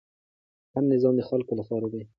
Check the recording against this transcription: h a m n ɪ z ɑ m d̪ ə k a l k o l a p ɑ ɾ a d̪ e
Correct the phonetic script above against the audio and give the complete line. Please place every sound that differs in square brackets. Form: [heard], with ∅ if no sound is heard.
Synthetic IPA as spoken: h a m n ɪ z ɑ m d̪ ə [x] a l k o l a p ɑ ɾ a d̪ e